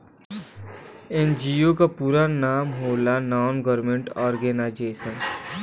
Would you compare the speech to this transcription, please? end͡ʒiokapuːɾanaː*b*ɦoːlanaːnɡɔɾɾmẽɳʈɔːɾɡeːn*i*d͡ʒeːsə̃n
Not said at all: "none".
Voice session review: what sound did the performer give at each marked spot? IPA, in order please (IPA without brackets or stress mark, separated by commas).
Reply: m, a